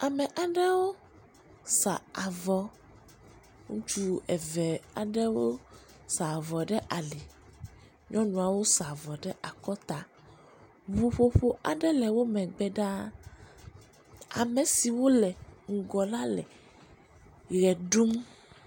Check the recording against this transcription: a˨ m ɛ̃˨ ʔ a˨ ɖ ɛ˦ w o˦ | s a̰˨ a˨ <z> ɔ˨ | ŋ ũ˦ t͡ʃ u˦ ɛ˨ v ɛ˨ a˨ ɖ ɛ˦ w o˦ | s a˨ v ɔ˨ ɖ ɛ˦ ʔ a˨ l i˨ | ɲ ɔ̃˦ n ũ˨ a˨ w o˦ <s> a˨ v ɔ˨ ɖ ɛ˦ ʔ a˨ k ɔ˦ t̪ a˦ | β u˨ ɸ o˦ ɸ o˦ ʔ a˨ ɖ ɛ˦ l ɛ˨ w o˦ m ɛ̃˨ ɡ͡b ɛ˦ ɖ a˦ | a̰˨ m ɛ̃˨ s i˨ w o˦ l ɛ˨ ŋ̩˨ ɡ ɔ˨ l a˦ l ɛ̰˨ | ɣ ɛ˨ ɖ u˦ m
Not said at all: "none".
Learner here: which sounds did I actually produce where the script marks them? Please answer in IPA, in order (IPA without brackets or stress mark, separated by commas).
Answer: v, s